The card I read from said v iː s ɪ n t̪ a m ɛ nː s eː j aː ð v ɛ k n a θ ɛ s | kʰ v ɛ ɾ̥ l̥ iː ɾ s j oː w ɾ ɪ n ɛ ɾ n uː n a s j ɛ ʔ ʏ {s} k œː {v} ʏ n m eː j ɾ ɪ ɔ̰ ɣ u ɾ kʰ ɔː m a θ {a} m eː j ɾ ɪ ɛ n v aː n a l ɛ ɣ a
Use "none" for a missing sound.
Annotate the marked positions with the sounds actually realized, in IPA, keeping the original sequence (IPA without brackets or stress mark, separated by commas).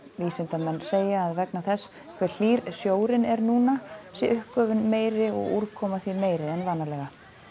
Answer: h, v, i